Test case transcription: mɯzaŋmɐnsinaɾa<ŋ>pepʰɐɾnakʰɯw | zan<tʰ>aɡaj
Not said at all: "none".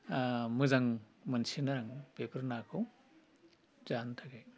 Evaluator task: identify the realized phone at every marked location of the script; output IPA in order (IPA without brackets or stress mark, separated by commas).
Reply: ŋ, tʰ